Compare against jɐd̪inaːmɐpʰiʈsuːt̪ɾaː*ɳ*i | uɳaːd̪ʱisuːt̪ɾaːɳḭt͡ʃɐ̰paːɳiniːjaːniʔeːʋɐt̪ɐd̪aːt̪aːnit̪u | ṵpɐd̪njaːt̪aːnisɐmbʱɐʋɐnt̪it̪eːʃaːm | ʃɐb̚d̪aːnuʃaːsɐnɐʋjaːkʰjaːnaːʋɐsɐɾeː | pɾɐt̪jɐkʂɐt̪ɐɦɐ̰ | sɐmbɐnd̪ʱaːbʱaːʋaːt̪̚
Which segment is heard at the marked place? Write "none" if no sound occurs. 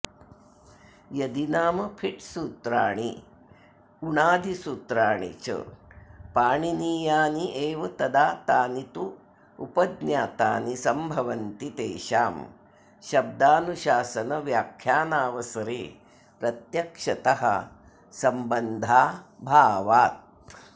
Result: ɳ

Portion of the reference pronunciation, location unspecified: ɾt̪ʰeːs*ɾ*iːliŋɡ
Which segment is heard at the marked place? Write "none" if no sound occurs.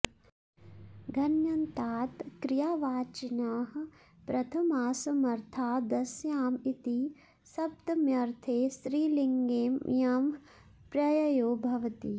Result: ɾ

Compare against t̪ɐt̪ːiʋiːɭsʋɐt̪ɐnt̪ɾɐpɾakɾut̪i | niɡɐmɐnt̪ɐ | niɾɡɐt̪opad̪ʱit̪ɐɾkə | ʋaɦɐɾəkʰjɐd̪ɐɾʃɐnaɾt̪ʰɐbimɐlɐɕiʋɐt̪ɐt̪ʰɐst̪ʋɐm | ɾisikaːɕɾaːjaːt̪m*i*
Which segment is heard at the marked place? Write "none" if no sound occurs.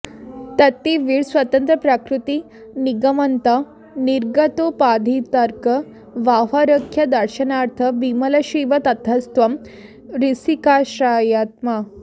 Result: a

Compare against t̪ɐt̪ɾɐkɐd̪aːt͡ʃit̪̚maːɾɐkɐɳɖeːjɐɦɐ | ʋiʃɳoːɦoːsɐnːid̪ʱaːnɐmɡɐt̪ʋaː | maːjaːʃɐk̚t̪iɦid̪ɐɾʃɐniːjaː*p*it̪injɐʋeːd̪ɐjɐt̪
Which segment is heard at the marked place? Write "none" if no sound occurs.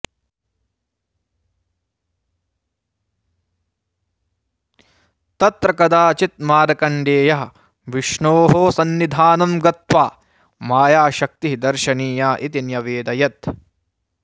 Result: ʔ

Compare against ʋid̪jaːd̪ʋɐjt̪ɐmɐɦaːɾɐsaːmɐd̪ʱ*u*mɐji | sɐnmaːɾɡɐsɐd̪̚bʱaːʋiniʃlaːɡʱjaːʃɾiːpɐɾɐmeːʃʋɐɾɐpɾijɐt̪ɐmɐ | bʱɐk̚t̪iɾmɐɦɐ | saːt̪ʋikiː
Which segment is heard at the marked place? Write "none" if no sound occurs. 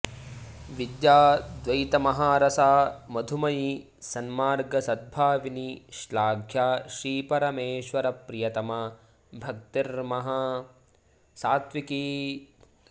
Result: u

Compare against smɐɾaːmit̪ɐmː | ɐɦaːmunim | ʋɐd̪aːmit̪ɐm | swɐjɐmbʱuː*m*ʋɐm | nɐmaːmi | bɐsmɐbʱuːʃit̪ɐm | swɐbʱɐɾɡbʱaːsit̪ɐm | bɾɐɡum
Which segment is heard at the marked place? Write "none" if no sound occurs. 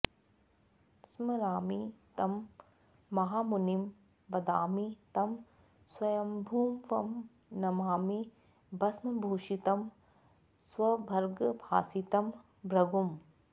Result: m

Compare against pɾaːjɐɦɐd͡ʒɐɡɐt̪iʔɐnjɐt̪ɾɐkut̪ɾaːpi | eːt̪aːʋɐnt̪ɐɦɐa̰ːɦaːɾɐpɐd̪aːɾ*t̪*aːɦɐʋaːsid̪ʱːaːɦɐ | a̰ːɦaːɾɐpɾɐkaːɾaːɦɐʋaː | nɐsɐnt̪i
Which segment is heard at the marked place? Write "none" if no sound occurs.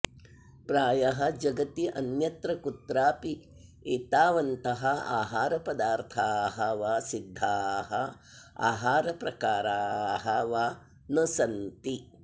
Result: t̪ʰ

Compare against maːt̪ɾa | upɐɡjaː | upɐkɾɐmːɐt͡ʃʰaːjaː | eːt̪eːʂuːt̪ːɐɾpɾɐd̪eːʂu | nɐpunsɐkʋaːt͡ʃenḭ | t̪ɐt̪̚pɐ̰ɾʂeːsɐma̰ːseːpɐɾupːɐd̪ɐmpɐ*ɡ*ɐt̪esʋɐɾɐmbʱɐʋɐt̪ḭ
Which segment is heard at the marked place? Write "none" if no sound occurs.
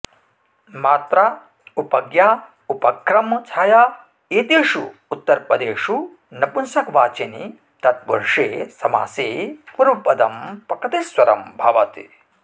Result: k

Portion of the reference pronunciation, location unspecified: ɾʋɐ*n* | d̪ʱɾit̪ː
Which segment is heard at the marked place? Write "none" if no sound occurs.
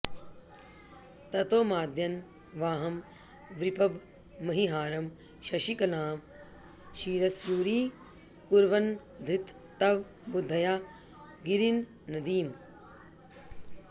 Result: n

